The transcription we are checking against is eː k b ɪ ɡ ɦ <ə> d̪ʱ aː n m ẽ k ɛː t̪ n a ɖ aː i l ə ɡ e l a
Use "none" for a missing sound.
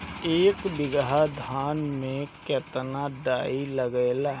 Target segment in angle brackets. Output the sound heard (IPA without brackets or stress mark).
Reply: a